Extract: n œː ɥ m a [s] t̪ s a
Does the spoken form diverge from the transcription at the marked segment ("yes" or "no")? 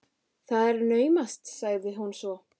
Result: no